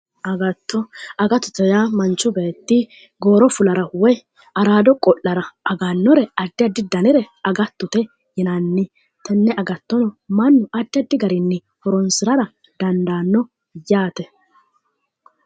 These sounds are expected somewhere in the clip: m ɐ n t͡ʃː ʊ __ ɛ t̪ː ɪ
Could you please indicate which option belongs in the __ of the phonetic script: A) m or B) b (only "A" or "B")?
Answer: B